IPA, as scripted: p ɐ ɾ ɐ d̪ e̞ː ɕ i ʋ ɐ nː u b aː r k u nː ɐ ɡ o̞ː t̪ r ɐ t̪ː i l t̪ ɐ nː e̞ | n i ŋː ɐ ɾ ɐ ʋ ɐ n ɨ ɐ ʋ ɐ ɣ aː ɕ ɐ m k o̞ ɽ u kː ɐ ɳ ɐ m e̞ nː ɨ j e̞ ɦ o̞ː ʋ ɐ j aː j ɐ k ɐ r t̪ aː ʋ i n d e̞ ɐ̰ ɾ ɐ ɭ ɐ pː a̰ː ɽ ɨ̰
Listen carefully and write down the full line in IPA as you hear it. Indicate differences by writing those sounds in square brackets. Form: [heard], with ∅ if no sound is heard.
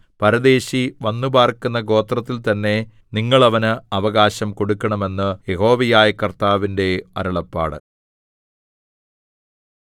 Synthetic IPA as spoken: p ɐ ɾ ɐ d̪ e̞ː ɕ i ʋ ɐ nː u b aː r k u nː ɐ ɡ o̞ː t̪ r ɐ t̪ː i l t̪ ɐ nː e̞ | n i ŋː ɐ [ɭ] ɐ ʋ ɐ n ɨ ɐ ʋ ɐ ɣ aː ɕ ɐ m k o̞ ɽ u kː ɐ ɳ ɐ m e̞ nː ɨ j e̞ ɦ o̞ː ʋ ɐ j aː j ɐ k ɐ r t̪ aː ʋ i n d e̞ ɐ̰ ɾ ɐ ɭ ɐ pː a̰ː ɽ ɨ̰